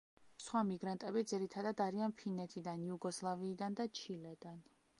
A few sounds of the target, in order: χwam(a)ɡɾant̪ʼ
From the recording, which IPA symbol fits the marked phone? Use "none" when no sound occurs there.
i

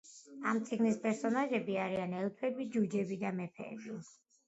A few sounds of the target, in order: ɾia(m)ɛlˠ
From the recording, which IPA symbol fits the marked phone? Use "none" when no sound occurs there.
n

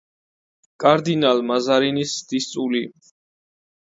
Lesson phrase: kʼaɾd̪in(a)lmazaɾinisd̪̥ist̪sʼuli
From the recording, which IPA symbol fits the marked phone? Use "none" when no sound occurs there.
a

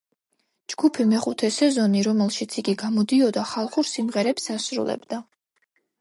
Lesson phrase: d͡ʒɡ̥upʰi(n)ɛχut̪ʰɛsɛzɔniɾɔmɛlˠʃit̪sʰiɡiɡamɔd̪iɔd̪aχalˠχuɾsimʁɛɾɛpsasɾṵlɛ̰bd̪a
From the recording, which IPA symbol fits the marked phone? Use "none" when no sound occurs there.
m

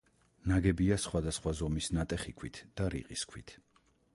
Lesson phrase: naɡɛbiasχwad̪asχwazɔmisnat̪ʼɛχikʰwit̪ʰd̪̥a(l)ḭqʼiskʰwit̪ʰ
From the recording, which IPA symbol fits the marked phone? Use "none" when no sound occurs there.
ɾ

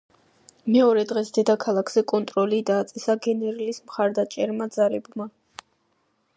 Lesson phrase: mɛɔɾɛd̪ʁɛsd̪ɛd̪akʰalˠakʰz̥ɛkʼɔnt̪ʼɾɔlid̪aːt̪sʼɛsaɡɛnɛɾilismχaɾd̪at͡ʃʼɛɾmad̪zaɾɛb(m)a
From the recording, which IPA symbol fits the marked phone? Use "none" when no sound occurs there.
m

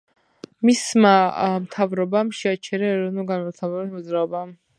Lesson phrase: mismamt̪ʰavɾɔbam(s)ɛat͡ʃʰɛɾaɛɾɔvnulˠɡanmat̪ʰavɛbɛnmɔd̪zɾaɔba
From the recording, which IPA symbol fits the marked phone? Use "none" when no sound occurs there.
ʃ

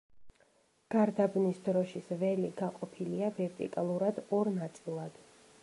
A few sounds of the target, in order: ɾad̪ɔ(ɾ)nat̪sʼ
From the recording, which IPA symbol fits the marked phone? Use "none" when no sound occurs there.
ɾ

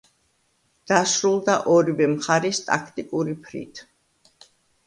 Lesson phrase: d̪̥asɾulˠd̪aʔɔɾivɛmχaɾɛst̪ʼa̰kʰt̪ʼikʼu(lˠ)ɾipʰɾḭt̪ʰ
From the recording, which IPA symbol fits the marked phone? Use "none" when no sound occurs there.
none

